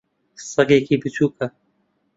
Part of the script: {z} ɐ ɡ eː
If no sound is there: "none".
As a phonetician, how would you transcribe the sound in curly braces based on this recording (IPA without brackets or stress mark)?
s